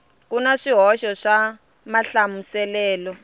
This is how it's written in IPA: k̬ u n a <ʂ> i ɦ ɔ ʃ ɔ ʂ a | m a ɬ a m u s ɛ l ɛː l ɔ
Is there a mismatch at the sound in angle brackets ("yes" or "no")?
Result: no